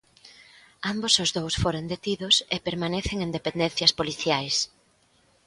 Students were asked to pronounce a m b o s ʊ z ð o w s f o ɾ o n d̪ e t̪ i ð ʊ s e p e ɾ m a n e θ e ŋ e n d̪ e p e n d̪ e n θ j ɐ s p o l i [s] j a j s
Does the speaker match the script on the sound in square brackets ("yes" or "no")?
no